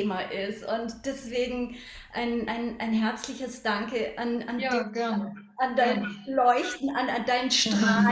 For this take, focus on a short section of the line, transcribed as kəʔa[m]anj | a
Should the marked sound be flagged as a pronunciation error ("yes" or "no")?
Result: yes